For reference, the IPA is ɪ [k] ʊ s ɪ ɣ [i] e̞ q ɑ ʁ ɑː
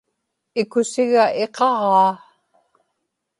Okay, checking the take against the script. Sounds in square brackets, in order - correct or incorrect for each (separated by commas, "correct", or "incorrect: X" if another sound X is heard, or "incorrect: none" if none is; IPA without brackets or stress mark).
correct, incorrect: a